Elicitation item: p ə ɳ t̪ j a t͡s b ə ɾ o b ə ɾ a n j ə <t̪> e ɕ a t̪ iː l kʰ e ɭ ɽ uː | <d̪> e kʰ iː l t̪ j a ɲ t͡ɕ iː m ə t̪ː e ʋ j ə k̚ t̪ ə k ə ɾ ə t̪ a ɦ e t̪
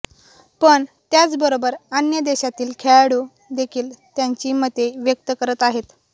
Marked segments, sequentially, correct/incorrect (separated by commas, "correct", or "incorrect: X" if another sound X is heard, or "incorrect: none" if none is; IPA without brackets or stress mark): incorrect: d̪, correct